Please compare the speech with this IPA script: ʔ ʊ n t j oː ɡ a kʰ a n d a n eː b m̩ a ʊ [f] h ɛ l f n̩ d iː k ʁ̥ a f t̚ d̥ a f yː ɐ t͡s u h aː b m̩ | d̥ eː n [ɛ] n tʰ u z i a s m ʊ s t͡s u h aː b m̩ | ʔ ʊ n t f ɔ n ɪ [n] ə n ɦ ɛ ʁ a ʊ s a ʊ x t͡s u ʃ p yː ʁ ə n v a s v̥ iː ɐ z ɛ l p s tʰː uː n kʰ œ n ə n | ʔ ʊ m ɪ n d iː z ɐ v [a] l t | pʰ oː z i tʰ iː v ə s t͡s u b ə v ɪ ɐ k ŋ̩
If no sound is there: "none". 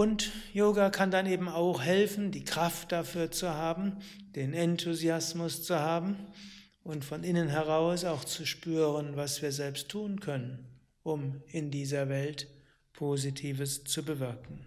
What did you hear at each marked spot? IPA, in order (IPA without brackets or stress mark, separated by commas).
x, ɛ, n, ɛ